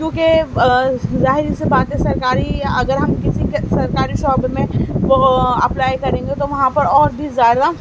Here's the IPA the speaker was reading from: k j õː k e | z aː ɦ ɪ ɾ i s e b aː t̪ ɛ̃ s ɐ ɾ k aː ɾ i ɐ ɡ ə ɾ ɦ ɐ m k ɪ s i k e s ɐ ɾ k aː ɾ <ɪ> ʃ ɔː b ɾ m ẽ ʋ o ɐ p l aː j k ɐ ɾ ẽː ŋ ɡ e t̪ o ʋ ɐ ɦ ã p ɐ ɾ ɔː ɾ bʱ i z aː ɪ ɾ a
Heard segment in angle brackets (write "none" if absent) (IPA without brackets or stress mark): i